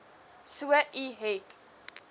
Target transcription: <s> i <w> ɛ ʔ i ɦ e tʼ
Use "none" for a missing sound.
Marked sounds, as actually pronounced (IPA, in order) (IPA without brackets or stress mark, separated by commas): s, w